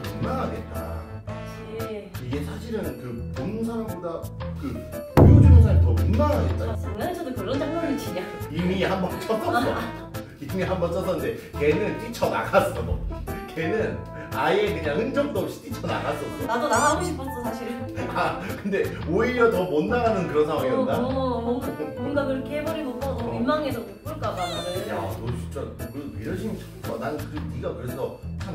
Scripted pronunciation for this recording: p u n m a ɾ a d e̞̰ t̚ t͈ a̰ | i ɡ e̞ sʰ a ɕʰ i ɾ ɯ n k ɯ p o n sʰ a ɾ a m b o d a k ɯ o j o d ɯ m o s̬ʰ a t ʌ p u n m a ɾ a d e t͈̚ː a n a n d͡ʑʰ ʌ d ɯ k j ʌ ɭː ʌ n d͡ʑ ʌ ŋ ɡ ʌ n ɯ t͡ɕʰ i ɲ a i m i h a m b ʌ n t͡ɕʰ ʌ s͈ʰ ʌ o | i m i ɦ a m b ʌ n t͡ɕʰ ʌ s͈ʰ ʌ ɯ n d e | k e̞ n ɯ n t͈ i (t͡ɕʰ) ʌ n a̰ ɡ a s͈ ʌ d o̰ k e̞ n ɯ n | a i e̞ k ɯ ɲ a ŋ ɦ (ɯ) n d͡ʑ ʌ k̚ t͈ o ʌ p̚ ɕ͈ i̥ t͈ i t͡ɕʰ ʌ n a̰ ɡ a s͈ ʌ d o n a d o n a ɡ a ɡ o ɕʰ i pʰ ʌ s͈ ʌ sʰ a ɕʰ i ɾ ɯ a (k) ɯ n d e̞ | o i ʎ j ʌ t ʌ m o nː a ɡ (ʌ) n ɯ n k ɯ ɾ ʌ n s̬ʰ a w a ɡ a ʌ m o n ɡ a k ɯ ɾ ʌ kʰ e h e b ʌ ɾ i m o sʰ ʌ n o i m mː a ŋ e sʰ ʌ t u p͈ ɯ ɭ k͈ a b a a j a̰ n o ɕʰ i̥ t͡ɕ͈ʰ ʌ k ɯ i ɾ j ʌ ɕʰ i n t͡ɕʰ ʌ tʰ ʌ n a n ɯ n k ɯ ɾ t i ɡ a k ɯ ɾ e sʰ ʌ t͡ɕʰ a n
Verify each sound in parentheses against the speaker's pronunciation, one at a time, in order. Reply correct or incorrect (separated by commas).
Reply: correct, correct, correct, incorrect